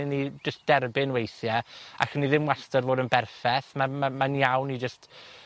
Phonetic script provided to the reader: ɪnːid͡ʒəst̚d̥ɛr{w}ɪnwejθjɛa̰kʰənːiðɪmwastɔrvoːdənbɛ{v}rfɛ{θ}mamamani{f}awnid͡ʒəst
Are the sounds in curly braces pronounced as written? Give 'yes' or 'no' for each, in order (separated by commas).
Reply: no, no, yes, no